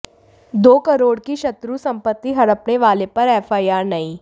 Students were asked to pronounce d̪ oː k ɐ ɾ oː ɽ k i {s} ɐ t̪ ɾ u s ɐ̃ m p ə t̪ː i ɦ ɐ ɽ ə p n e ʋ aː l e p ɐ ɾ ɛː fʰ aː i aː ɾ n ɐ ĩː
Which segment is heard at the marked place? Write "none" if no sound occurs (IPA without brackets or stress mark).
ʃ